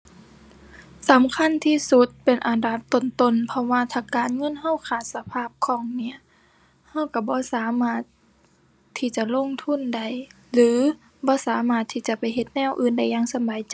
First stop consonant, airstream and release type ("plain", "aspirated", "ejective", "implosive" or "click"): aspirated